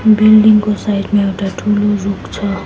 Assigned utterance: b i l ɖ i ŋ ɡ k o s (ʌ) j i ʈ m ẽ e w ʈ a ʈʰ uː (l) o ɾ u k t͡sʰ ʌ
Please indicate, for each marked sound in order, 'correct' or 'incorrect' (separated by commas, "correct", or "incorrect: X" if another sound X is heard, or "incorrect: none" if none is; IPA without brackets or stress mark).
incorrect: a, correct